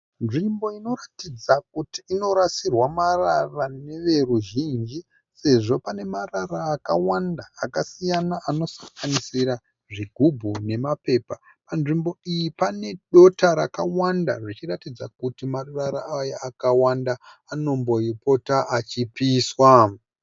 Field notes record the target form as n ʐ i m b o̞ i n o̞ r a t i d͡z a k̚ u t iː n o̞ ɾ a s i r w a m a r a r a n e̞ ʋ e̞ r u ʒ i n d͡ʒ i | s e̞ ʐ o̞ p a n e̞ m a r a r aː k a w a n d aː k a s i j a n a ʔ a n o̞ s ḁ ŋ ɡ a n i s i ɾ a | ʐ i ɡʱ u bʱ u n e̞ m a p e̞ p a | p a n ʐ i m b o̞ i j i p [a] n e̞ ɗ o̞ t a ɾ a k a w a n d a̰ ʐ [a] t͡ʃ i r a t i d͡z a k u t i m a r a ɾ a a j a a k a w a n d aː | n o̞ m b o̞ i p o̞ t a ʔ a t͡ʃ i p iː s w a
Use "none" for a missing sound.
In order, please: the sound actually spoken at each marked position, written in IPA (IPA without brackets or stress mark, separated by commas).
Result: a, i